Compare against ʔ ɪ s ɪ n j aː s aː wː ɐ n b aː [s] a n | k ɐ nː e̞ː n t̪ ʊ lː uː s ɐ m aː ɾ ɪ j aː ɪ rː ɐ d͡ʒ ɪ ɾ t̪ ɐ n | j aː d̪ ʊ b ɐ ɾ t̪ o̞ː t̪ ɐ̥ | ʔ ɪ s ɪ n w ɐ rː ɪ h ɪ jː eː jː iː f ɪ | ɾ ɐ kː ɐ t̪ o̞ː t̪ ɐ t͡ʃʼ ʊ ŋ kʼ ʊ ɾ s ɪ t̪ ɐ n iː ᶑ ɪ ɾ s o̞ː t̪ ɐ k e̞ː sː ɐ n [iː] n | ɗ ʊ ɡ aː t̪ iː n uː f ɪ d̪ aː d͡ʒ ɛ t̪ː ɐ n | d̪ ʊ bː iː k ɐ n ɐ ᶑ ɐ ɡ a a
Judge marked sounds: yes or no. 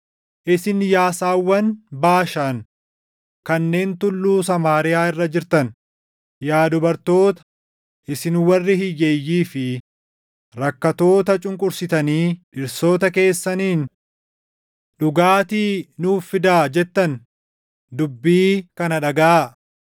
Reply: no, yes

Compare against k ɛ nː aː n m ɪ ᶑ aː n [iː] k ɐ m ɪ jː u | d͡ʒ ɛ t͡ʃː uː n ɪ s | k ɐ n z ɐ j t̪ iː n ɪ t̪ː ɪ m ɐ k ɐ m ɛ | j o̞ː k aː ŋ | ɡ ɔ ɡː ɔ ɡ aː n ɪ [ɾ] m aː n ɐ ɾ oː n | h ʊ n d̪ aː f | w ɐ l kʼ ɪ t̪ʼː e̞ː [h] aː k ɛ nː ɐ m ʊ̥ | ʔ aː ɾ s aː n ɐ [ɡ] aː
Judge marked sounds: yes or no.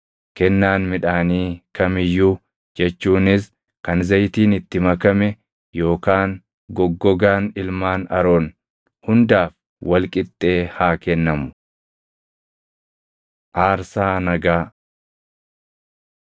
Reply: yes, no, yes, yes

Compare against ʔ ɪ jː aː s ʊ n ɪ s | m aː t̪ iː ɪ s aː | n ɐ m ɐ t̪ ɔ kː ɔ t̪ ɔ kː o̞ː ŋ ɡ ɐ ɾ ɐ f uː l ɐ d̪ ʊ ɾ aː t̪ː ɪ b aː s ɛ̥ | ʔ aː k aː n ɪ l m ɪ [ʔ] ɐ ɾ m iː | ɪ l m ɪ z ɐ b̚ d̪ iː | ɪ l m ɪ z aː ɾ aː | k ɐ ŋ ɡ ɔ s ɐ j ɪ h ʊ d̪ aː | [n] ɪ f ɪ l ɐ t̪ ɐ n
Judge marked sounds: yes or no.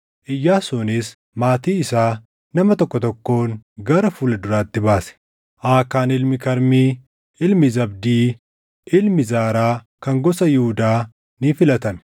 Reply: no, yes

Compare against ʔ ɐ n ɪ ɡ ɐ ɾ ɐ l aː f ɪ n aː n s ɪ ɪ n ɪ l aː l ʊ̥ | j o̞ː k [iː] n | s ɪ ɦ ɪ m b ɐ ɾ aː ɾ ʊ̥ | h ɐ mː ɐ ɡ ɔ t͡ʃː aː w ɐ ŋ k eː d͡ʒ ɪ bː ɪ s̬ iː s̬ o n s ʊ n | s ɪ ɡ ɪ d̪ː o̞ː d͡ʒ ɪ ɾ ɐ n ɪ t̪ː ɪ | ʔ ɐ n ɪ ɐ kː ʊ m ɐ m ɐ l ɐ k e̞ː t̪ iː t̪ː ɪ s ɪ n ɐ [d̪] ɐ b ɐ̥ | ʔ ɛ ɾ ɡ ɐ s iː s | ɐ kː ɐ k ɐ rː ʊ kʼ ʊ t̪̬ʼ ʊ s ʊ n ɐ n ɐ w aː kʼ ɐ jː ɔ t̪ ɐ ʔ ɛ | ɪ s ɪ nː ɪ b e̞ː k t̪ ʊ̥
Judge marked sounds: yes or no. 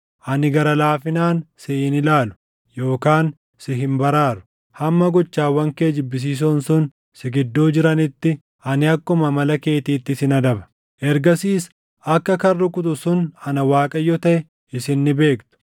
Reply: no, yes

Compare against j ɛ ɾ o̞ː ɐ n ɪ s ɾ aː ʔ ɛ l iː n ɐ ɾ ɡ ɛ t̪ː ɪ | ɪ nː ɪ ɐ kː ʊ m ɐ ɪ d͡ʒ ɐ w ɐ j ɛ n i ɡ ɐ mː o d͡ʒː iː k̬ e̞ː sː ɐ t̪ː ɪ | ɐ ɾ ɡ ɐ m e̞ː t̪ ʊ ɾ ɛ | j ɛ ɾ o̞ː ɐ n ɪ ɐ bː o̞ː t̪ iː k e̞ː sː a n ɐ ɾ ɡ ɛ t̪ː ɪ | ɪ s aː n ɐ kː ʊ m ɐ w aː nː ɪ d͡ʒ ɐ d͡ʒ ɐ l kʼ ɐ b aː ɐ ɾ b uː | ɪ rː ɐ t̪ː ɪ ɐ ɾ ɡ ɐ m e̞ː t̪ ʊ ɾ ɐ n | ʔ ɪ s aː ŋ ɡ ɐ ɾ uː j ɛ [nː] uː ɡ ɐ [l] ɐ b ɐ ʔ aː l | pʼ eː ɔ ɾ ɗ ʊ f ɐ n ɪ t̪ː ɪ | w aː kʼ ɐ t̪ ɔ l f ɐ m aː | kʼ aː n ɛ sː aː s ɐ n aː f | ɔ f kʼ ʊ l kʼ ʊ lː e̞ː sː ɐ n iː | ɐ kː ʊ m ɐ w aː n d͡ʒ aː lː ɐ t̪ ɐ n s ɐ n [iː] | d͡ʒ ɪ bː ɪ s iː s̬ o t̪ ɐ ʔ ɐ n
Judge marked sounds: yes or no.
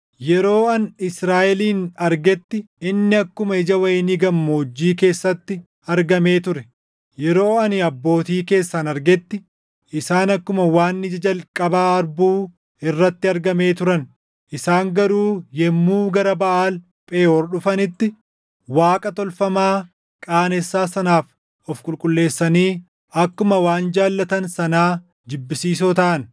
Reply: no, no, no

